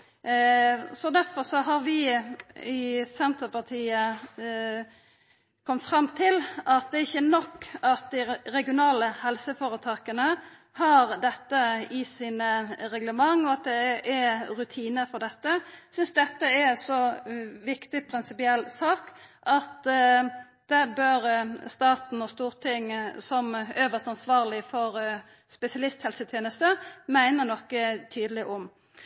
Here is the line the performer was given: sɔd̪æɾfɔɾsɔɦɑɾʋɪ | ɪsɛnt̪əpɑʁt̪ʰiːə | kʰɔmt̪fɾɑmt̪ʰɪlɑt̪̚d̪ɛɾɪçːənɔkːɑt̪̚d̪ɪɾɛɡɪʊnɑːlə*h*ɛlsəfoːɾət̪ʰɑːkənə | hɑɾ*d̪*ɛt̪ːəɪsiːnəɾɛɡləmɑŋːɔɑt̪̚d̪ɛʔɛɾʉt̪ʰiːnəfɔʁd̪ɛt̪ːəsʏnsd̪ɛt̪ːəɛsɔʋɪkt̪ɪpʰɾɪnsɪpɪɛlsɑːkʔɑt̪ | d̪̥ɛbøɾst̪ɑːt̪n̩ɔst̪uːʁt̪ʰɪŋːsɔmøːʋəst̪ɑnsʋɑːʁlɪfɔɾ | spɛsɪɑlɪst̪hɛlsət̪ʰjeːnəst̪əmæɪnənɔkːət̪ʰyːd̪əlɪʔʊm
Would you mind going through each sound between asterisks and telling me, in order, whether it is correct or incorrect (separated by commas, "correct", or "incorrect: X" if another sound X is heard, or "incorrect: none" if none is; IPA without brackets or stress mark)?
correct, correct